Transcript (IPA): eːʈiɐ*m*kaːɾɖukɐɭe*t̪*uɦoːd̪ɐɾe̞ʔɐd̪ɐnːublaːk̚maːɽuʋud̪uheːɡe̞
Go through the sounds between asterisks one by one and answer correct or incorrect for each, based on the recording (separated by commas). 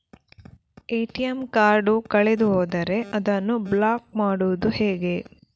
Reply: correct, incorrect